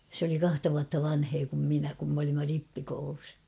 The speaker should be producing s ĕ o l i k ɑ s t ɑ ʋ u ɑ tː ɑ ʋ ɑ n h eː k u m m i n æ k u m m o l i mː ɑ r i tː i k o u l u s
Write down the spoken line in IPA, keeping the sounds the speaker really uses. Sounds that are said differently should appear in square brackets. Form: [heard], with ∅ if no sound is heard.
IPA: s ĕ o l i k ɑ [h] t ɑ ʋ u ɑ tː ɑ ʋ ɑ n h eː k u m m i n æ k u m m o l i mː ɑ r i [pː] i k o u l u s